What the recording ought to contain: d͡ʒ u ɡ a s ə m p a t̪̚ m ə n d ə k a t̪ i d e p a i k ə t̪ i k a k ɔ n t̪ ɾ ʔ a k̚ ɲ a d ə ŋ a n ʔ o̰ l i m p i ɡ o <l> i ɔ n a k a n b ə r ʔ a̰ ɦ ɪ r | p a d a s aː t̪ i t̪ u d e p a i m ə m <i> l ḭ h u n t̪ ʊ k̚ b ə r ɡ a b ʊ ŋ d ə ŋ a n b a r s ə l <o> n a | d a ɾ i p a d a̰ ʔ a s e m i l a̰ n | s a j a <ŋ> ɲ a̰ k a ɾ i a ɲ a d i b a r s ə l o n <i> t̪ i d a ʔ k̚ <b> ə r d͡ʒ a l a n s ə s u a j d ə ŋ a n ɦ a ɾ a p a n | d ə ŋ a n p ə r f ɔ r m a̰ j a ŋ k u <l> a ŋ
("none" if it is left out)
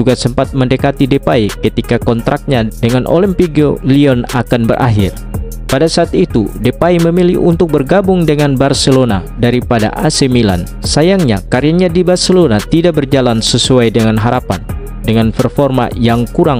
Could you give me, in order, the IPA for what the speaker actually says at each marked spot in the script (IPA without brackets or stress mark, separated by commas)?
l, i, o, ŋ, a, b, ɾ